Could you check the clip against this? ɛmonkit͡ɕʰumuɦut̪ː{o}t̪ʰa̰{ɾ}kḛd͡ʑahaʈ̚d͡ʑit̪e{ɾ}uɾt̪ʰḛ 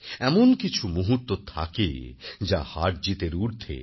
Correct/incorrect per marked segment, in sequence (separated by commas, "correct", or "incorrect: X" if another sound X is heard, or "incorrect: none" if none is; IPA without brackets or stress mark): correct, incorrect: none, correct